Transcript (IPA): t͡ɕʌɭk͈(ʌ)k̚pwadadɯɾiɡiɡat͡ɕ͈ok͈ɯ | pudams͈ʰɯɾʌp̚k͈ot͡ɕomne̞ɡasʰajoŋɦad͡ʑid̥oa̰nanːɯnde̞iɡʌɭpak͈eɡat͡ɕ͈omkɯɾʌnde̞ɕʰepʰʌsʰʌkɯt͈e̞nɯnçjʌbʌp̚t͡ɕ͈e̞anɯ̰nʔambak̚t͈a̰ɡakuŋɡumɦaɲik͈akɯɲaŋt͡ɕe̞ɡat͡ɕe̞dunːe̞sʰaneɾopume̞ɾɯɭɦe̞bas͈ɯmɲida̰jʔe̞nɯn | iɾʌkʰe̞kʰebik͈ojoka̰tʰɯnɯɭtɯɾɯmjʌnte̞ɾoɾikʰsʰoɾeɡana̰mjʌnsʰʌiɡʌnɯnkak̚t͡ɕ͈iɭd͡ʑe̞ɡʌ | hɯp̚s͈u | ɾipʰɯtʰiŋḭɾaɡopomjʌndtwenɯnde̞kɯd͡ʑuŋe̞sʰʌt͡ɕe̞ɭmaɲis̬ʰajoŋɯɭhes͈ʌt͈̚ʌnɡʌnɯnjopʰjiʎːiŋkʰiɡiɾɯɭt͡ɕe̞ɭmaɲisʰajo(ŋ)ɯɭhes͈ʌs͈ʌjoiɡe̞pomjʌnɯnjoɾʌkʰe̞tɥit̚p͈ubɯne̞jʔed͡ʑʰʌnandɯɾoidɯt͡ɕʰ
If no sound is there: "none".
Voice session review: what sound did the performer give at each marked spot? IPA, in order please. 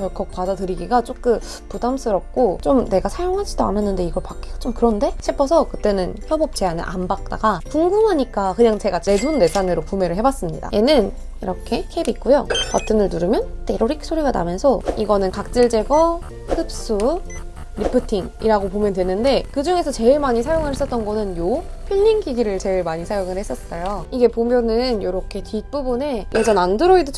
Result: ʌ, ŋ

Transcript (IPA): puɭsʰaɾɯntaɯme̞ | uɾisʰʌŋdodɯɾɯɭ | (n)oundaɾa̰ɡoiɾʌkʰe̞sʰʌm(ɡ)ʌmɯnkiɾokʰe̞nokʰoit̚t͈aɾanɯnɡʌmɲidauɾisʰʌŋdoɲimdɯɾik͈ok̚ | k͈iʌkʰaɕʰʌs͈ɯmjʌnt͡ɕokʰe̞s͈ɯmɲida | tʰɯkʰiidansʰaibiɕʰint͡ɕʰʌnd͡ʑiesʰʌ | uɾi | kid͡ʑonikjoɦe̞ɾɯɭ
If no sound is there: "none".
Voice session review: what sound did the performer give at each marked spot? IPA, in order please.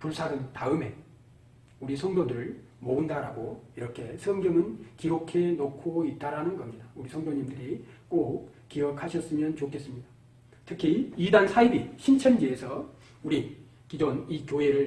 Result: m, ɡ

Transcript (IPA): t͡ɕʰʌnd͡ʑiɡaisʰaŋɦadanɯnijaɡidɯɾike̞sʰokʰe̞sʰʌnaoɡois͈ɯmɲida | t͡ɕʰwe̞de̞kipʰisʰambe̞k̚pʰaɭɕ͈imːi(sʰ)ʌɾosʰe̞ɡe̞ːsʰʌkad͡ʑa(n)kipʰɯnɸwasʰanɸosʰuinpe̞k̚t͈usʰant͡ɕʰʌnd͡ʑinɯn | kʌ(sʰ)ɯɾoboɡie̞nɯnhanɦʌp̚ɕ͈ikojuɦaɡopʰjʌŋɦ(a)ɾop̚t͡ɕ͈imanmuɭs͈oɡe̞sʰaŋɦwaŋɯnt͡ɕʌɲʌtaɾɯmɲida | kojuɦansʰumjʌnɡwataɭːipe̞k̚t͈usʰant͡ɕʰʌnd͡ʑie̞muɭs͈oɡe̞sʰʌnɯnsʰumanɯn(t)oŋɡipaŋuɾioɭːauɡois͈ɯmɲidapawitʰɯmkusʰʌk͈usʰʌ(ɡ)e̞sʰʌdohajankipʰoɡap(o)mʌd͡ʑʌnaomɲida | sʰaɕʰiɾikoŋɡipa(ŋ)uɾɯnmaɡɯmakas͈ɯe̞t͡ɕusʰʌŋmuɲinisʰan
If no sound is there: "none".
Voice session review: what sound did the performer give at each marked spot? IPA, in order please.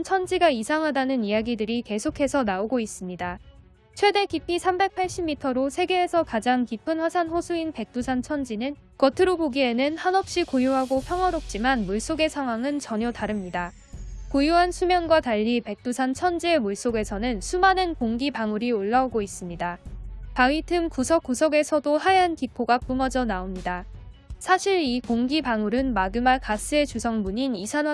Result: tʰ, ŋ, tʰ, ʌ, k, ɡ, u, ŋ

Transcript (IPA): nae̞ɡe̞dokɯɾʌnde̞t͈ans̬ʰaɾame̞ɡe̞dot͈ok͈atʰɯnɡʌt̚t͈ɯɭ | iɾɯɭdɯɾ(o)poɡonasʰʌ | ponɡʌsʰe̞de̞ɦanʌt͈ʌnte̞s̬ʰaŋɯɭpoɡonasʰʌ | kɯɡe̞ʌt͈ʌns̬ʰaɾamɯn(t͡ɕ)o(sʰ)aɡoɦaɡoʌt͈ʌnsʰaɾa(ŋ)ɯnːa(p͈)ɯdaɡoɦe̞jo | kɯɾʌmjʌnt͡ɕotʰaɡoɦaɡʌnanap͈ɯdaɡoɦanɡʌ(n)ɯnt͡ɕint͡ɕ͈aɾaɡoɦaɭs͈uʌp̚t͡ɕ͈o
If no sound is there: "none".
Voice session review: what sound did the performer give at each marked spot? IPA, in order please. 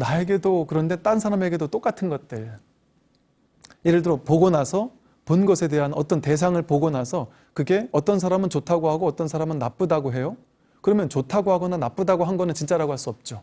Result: o, t͡ɕ, tʰ, m, p͈, n

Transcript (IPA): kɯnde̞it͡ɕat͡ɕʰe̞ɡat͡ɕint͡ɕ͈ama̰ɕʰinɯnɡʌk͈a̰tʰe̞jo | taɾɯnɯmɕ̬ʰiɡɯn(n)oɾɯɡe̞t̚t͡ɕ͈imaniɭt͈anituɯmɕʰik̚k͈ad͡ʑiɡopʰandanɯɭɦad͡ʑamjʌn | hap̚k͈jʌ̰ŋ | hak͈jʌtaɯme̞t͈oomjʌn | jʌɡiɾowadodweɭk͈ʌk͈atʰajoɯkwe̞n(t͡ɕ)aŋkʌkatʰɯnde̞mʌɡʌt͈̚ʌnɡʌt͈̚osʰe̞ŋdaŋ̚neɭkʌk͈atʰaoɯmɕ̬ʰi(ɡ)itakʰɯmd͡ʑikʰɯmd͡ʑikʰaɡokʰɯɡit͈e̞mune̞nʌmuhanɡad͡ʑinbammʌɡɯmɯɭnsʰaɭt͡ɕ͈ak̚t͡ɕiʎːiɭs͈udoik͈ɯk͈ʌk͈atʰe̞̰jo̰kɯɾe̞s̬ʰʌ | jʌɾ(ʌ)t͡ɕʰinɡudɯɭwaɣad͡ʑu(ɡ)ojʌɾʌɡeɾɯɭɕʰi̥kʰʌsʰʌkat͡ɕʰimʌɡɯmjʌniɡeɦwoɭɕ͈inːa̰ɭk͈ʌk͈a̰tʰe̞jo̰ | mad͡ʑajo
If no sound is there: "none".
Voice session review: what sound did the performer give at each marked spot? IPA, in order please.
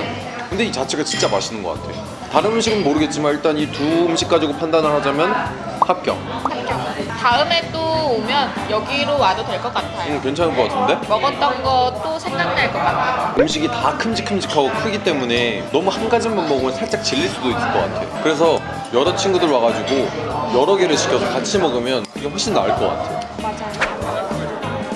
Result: m, t͡ɕʰ, ɡ, ʌ, ɡ

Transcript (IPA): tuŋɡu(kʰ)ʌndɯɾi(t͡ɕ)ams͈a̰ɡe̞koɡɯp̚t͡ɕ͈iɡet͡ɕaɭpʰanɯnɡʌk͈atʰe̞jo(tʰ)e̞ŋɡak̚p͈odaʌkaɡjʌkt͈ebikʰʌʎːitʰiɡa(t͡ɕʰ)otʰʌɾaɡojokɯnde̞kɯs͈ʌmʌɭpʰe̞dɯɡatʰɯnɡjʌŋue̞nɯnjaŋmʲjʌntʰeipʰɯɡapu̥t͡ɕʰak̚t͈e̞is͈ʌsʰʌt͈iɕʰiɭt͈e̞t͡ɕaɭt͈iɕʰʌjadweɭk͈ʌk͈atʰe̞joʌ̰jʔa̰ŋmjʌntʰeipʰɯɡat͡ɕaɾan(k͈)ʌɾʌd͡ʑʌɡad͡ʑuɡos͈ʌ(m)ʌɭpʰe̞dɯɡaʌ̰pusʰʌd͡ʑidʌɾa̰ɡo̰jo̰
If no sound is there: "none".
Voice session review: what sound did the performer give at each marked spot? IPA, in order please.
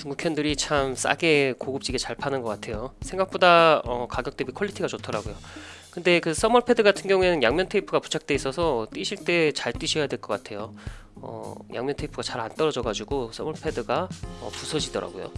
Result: kʰ, t͡ɕʰ, sʰ, t͡ɕ, t͈, m

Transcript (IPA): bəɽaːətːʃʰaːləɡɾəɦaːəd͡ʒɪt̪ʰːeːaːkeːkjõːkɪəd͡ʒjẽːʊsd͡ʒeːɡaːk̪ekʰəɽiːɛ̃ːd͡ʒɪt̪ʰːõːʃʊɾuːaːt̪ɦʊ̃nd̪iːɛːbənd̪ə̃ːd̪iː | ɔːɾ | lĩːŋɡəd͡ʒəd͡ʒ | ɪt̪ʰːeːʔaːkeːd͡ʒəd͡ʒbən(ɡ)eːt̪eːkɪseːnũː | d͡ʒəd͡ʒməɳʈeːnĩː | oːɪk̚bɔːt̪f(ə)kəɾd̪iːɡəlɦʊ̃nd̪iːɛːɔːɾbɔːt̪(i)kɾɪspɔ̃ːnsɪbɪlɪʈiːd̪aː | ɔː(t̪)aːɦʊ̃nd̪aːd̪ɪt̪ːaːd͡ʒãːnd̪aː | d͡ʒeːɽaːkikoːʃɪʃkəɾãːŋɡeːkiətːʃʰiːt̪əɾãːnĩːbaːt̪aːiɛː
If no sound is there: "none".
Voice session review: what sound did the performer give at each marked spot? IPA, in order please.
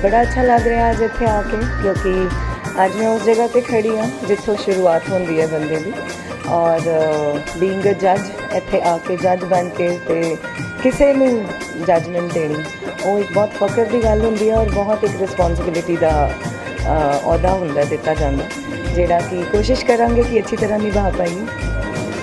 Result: k, ə, ɪ, d̪

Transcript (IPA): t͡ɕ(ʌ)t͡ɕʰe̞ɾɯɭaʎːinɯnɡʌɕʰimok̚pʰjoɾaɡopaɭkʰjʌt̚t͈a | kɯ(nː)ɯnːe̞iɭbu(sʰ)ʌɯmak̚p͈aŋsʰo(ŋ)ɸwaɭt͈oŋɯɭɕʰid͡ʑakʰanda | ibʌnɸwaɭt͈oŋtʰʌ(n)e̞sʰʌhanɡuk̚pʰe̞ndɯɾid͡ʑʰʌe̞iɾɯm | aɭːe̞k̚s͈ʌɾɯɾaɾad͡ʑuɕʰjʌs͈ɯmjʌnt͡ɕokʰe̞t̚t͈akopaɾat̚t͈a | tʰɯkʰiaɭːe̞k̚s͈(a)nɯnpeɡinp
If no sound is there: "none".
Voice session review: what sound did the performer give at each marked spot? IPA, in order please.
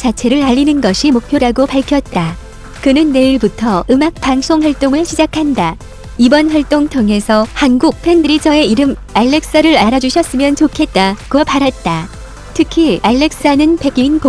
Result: a, n, tʰ, ŋ, ŋ, a

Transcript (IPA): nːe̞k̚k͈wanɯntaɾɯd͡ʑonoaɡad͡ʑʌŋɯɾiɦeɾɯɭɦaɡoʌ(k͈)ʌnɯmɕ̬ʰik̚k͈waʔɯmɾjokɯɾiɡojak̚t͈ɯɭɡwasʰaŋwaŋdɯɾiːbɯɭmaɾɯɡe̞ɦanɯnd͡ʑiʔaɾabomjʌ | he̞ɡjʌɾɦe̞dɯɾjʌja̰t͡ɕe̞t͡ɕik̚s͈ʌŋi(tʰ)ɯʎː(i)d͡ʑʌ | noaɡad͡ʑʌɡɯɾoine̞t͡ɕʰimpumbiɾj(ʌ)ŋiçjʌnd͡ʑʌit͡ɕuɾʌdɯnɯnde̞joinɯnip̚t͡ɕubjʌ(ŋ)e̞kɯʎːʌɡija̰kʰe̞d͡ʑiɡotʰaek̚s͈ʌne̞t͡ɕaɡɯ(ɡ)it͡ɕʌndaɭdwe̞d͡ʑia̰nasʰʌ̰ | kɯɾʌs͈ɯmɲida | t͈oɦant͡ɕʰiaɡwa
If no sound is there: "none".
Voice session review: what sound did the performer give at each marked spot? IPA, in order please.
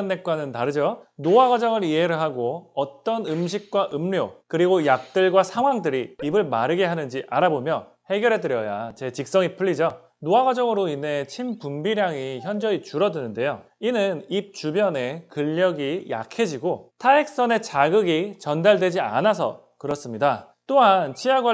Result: t͈, pʰ, i, a, n, ɡ

